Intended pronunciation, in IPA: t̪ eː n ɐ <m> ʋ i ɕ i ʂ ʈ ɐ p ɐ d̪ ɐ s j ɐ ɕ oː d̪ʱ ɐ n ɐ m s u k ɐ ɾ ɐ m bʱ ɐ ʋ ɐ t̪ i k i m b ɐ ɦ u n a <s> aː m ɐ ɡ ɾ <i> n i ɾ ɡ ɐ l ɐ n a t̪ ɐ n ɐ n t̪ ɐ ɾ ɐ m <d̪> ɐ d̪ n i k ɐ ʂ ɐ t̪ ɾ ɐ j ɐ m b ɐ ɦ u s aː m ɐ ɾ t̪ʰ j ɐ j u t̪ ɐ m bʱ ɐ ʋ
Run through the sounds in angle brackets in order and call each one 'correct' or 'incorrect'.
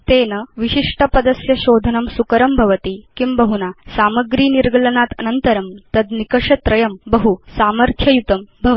incorrect: none, correct, incorrect: iː, incorrect: t̪

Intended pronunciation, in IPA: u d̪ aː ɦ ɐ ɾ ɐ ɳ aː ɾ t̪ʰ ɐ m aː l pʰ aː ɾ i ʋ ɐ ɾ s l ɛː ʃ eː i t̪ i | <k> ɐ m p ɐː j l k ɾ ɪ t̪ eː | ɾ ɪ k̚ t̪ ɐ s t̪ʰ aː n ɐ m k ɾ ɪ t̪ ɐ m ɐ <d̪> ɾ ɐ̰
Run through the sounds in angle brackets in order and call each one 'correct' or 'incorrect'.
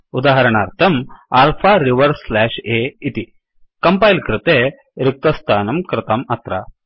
correct, incorrect: t̪

